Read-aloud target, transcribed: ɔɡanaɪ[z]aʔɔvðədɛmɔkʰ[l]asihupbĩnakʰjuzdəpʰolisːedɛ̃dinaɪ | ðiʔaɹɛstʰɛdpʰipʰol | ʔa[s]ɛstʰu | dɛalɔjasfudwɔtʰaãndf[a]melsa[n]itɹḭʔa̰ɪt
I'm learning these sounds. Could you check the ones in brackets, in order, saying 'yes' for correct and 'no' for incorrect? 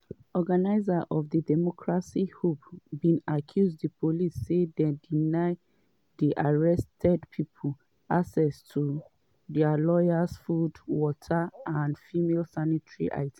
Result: yes, no, yes, no, yes

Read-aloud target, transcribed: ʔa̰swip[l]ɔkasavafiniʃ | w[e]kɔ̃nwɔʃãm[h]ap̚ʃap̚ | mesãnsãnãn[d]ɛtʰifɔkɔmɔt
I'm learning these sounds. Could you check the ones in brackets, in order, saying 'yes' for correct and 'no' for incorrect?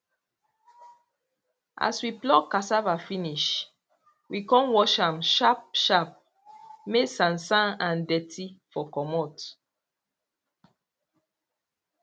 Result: yes, no, no, yes

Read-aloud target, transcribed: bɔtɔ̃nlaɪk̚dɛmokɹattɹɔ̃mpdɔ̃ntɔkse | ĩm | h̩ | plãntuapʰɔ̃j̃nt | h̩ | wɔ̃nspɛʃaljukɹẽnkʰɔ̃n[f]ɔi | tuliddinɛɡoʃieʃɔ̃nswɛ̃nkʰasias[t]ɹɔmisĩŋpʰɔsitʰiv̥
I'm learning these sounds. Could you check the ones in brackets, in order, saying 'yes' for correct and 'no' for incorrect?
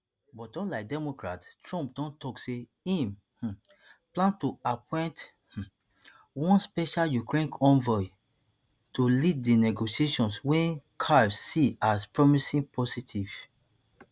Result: no, no

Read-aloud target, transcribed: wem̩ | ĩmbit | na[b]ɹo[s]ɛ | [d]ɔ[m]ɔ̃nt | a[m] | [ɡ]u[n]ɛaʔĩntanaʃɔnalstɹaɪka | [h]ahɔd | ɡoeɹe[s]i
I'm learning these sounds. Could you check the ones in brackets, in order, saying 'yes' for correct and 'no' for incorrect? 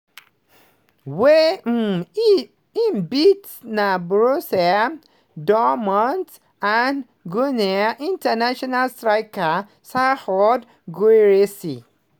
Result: yes, yes, yes, yes, no, yes, yes, no, yes

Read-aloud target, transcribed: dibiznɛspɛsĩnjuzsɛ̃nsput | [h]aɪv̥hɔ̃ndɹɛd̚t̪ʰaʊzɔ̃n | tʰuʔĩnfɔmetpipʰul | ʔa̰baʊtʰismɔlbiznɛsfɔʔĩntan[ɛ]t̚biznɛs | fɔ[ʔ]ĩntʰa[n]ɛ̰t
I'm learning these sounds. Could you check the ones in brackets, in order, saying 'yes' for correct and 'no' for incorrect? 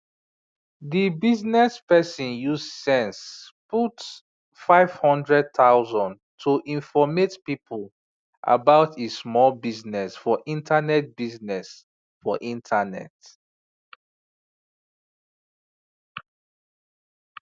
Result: no, yes, yes, yes

